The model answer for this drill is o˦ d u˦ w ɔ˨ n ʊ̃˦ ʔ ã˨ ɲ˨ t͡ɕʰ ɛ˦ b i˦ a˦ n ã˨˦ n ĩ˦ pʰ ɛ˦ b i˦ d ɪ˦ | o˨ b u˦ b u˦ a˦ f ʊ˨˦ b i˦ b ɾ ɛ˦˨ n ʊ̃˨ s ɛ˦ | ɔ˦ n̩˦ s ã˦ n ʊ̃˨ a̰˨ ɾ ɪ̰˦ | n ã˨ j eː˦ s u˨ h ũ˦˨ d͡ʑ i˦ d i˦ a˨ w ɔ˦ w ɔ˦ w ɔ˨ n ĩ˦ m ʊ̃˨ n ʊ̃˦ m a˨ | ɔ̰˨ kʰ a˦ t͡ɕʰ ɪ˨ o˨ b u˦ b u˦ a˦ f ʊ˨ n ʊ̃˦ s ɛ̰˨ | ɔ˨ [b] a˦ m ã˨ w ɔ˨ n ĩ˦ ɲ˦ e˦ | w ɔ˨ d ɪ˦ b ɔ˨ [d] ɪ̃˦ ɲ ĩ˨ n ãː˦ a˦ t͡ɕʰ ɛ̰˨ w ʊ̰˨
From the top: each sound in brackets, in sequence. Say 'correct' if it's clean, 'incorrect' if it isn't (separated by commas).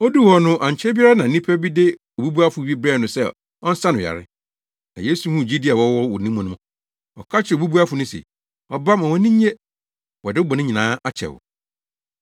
correct, incorrect